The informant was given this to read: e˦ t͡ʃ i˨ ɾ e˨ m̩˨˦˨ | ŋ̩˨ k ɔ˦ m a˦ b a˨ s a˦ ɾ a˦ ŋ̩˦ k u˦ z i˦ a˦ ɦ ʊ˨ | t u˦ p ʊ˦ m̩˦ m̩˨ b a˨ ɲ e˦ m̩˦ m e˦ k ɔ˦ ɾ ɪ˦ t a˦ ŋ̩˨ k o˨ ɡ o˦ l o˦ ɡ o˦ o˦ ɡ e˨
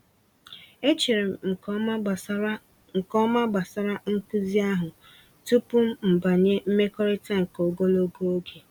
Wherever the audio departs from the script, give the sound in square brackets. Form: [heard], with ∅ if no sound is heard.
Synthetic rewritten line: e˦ t͡ʃ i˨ ɾ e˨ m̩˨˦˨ | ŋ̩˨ k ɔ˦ m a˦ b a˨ s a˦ ɾ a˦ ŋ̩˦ k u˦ z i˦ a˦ ɦ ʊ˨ | t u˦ p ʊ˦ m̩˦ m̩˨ b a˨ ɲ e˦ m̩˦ m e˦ k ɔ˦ ɾ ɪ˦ t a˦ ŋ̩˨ k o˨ ɡ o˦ l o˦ ɡ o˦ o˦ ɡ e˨